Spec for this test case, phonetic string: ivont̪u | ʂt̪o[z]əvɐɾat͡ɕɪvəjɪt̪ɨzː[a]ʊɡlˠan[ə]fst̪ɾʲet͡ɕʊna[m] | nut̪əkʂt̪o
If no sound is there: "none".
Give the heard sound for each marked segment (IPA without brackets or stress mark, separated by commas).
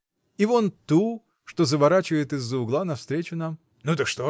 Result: z, ə, ɐ, m